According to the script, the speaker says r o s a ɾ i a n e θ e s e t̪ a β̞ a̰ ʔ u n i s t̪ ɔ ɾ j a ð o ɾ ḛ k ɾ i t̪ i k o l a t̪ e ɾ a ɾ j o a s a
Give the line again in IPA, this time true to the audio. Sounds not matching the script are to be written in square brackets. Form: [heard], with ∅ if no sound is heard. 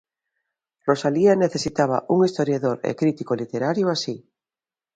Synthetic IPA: r o s a [l] i a n e θ e s [i] t̪ a β̞ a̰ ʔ u [ŋ] i s t̪ [o] ɾ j a ð o ɾ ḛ k ɾ i t̪ i k o l [i] t̪ e ɾ a ɾ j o a s [i]